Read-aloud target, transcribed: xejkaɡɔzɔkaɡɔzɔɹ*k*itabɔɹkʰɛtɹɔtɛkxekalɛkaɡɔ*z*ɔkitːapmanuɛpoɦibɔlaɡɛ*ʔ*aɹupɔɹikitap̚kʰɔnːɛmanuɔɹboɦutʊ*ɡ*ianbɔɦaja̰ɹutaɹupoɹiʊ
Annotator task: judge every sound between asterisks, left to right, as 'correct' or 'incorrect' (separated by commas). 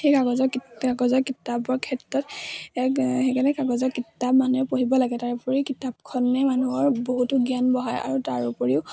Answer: correct, correct, incorrect, correct